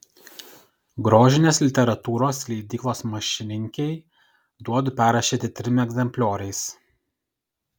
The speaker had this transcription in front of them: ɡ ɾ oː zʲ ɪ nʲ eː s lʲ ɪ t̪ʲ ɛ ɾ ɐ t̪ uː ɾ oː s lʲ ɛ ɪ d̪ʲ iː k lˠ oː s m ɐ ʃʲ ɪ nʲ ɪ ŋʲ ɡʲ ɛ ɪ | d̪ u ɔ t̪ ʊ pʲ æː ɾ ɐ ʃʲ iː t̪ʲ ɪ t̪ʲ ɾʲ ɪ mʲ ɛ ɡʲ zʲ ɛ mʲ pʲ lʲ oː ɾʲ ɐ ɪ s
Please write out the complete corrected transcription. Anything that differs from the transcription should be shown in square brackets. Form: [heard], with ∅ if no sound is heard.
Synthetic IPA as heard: ɡ ɾ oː [ʒʲ] ɪ nʲ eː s lʲ ɪ t̪ʲ ɛ ɾ ɐ t̪ uː ɾ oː s lʲ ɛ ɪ d̪ʲ iː k lˠ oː s m ɐ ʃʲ ɪ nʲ ɪ ŋʲ [kʲ] ɛ ɪ | d̪ u ɔ [d̪] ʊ pʲ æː ɾ ɐ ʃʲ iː t̪ʲ ɪ t̪ʲ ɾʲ ɪ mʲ ɛ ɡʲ zʲ ɛ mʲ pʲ lʲ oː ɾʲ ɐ ɪ s